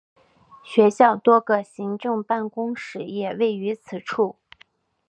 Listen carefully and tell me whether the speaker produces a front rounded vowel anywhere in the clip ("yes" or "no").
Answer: yes